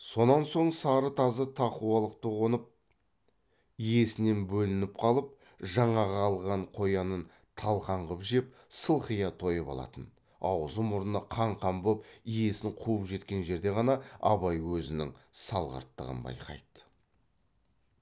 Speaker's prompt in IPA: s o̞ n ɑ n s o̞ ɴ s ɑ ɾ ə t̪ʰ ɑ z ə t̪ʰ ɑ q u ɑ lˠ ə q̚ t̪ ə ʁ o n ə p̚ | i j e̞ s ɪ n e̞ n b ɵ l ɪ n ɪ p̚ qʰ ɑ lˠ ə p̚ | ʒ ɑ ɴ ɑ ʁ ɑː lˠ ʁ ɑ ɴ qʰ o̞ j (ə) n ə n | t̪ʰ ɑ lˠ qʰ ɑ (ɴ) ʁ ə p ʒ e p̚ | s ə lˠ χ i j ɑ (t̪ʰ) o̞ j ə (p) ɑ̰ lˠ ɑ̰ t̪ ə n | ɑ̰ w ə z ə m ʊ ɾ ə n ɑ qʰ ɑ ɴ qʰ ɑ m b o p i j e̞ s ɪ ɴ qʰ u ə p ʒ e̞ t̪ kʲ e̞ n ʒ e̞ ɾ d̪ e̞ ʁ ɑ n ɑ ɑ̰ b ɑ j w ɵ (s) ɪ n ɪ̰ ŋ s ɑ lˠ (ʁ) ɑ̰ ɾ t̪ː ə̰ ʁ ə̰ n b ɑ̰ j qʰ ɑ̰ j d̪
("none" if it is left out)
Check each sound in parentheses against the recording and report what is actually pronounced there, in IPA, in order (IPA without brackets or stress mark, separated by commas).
ɑ, ɴ, t̪ʰ, p, z, ʁ